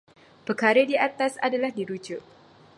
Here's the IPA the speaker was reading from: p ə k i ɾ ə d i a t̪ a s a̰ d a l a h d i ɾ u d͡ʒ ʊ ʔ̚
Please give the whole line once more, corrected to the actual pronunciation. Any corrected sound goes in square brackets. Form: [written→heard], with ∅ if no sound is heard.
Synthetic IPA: p ə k [i→a] ɾ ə d i a t̪ a s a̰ d a l a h d i ɾ u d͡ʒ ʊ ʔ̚